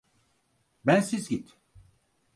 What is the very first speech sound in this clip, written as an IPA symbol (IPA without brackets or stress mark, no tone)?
b